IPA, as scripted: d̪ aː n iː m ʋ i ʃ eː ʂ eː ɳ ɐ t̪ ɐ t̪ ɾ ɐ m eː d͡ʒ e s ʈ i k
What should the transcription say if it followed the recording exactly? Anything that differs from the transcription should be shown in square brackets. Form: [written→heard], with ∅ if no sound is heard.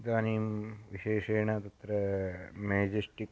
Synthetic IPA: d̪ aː n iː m ʋ i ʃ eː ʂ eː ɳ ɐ t̪ ɐ t̪ ɾ ɐ m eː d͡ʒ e s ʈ i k